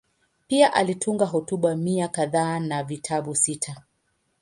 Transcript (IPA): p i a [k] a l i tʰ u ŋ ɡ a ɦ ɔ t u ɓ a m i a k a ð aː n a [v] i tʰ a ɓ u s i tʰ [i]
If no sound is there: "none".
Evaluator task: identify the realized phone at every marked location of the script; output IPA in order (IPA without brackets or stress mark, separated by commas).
ʔ, v, a